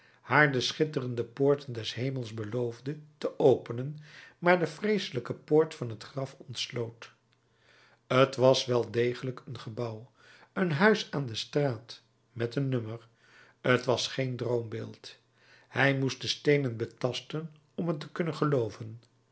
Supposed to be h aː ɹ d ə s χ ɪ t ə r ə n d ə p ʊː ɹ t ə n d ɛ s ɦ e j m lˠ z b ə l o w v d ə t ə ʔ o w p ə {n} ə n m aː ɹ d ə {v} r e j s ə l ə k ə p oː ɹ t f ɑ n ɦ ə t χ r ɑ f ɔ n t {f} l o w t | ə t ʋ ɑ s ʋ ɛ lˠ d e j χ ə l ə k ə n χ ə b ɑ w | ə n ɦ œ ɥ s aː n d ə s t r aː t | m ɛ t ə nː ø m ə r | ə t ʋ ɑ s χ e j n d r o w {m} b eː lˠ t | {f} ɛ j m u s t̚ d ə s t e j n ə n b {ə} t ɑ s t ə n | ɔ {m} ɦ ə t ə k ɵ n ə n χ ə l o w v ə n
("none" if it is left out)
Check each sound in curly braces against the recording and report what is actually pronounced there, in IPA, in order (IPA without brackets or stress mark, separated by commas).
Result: n, f, s, m, h, ə, m